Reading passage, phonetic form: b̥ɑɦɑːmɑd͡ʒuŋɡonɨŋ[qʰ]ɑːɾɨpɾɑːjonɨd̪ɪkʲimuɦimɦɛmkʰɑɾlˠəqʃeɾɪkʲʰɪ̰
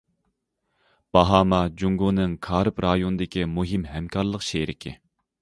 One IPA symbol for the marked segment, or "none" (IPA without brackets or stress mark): kʰ